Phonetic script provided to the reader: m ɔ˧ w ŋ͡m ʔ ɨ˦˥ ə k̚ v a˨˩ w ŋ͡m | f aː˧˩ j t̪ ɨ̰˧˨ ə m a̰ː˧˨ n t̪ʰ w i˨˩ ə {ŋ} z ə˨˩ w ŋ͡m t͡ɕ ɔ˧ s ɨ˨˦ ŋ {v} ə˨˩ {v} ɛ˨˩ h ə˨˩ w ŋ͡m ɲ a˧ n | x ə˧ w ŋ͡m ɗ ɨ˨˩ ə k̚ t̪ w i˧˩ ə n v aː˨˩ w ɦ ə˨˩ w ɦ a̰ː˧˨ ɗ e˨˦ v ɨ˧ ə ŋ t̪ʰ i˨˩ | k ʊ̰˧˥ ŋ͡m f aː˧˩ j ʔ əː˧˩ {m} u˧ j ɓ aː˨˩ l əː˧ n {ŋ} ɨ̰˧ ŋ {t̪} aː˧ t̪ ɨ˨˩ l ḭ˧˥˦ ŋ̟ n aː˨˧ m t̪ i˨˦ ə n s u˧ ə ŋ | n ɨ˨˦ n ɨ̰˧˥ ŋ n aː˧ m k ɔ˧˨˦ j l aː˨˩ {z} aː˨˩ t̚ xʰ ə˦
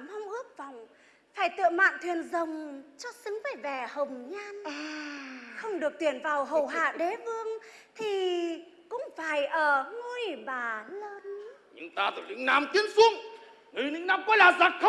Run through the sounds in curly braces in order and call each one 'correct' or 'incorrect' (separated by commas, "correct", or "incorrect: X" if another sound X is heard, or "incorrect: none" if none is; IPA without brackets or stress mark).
incorrect: n, correct, correct, incorrect: ŋ, incorrect: ɲ, correct, correct